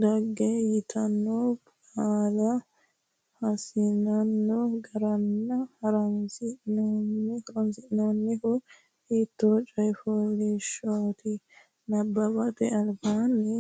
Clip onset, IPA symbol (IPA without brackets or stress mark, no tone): d̪